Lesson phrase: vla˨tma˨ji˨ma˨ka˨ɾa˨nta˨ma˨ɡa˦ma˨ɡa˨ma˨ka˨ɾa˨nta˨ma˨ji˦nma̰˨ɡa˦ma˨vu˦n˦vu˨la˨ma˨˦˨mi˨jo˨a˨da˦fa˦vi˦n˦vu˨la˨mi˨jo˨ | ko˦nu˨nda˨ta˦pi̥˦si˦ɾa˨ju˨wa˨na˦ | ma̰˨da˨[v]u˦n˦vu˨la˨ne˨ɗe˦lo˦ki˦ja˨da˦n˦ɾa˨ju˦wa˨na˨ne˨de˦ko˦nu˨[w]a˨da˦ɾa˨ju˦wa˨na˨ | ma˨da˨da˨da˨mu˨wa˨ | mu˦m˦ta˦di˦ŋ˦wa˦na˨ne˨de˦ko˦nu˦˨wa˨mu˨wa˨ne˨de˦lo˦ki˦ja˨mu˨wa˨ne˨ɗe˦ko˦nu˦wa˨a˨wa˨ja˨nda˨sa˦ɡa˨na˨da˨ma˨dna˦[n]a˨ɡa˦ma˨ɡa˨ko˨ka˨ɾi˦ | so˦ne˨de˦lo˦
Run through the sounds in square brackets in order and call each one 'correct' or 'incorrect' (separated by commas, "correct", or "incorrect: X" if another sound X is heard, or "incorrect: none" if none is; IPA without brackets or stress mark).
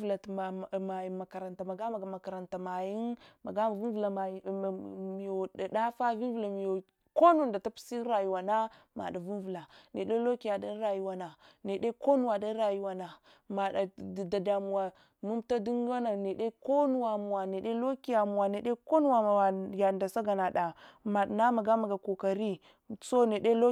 correct, correct, incorrect: m